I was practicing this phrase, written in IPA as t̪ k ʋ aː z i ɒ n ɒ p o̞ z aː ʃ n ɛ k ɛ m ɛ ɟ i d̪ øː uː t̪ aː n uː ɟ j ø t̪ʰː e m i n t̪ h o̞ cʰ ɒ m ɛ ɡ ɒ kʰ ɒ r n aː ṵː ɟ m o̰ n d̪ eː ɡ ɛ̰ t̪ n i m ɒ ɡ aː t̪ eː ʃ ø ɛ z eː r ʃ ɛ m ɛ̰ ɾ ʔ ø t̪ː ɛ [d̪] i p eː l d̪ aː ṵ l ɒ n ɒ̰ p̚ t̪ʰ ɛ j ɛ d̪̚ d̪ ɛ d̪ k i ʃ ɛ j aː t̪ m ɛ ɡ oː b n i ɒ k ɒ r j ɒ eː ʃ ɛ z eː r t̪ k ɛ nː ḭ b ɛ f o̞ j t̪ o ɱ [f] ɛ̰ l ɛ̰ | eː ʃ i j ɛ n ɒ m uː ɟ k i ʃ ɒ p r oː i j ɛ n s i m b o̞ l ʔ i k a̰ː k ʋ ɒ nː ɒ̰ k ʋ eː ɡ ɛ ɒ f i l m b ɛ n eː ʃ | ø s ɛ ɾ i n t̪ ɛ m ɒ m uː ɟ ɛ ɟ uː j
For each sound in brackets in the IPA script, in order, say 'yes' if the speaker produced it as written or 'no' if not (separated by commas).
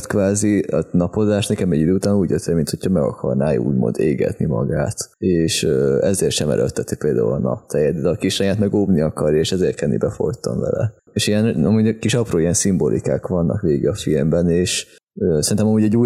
no, no